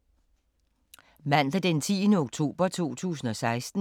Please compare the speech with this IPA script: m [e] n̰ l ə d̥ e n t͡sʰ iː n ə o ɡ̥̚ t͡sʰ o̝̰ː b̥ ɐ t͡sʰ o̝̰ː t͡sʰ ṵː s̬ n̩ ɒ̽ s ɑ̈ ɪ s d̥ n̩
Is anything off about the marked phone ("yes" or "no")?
yes